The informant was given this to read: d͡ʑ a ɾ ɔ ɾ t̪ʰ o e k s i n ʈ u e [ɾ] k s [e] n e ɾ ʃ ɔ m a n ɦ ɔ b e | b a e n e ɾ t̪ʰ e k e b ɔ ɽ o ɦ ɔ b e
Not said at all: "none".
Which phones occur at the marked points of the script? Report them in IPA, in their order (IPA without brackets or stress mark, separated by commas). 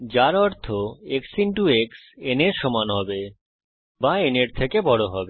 none, e